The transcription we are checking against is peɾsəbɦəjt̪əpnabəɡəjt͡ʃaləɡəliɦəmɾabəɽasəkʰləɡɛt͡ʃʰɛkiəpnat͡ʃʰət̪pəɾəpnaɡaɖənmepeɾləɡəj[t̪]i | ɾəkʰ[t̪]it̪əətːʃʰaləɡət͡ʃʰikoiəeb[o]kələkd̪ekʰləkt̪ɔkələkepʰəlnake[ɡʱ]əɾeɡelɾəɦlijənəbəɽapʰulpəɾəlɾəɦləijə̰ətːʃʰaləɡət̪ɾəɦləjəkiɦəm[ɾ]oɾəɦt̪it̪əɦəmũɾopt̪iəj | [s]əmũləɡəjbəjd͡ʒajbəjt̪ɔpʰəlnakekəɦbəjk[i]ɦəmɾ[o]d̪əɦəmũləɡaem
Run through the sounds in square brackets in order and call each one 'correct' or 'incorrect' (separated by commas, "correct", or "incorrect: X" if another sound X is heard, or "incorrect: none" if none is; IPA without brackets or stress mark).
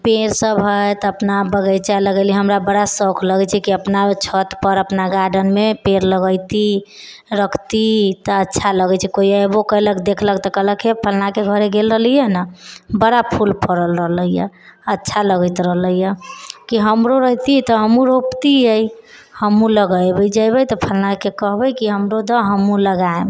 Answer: correct, correct, correct, correct, correct, incorrect: h, correct, correct